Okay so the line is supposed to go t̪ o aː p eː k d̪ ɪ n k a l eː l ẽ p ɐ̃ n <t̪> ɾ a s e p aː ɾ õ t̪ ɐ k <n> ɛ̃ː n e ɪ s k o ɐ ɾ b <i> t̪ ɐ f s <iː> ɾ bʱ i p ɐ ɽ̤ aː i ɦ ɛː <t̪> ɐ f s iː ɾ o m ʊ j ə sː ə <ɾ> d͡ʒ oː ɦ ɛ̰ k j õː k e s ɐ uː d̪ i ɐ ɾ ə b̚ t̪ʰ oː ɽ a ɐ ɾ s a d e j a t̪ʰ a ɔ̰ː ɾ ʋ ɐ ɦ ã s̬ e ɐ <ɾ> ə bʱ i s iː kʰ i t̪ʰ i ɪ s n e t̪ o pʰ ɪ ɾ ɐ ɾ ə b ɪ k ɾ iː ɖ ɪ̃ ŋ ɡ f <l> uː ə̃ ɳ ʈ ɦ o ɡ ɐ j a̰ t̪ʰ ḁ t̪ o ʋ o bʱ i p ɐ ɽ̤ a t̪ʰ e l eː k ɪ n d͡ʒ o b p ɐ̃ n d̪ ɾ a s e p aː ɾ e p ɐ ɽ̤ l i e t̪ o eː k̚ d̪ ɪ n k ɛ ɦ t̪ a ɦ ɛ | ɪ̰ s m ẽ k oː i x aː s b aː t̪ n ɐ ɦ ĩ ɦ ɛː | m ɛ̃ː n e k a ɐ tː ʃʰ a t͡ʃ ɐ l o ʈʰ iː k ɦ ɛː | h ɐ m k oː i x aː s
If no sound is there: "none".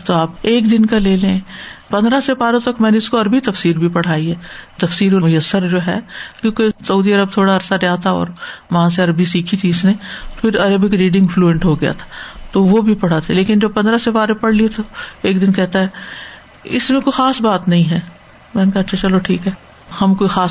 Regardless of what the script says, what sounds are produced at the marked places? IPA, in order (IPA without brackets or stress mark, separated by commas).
d̪, m, i, iː, t̪, ɾ, ɾ, l